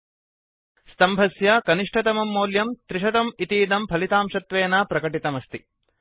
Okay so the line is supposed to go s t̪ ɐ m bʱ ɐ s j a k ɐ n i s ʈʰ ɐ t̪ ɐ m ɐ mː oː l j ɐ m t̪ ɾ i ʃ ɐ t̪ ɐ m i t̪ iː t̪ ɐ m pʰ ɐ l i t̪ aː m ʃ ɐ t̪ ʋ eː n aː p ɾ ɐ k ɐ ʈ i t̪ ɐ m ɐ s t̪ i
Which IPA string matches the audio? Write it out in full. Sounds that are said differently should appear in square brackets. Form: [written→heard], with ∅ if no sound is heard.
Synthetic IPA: s t̪ ɐ m bʱ ɐ s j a k ɐ n i [s→ʂ] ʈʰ ɐ t̪ ɐ m ɐ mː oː l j ɐ m t̪ ɾ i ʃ ɐ t̪ ɐ m i t̪ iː [t̪→d̪] ɐ m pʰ ɐ l i t̪ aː m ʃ ɐ t̪ ʋ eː n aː p ɾ ɐ k ɐ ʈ i t̪ ɐ m ɐ s t̪ i